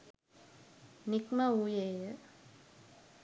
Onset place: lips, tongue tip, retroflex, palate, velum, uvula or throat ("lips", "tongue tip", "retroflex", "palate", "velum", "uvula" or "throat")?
tongue tip